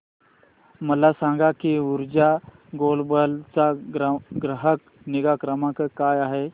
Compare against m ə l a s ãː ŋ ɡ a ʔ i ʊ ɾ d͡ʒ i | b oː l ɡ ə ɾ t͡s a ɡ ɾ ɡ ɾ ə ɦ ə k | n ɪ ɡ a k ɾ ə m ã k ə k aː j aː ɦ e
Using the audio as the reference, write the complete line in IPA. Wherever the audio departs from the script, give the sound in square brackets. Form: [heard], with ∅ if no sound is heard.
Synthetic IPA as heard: m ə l a s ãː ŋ ɡ a [k] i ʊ ɾ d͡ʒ [a] | [ɡ] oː l [b] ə [l] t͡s a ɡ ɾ ɡ ɾ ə ɦ ə k | n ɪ ɡ a k ɾ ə m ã k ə k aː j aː ɦ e

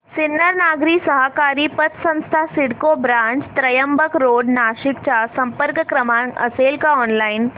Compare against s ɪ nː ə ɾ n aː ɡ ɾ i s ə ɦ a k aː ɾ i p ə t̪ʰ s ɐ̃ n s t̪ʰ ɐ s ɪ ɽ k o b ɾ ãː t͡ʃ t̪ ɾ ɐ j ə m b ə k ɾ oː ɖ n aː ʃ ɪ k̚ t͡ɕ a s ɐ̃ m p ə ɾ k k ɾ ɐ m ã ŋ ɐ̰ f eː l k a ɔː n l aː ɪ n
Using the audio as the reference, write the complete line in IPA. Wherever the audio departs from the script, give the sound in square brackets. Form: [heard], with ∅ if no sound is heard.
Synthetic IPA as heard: s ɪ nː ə ɾ n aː ɡ ɾ i s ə ɦ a k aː ɾ i p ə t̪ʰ s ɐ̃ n s t̪ʰ [a] s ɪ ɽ k o b ɾ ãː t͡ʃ t̪ ɾ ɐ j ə m b ə k ɾ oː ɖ n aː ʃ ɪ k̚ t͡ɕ a s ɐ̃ m p ə ɾ k k ɾ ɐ m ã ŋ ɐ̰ [s] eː l k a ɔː n l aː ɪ n

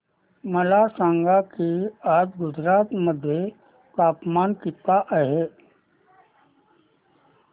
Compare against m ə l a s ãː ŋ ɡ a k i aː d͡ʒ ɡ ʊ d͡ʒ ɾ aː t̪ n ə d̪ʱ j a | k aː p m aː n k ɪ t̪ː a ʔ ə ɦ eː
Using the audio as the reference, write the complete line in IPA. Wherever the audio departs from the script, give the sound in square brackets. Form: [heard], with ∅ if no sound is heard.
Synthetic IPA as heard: m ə l a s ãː ŋ ɡ a k i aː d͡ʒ ɡ ʊ d͡ʒ ɾ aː t̪ [m] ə d̪ʱ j [e] | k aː p m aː n k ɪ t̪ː a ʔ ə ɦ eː

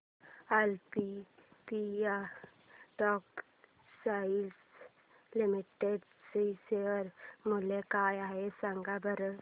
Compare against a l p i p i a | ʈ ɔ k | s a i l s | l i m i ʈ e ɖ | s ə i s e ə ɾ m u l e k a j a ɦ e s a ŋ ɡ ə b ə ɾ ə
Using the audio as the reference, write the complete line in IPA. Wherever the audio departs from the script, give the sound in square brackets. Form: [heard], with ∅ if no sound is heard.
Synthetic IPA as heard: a l p i p i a | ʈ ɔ k | s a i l s | l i m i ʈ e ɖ | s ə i s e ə ɾ m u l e k a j a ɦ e s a ŋ ɡ [a] b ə ɾ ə

